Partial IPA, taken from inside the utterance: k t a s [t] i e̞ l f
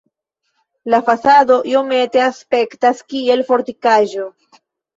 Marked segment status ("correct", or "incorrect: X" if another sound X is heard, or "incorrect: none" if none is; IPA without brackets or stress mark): incorrect: k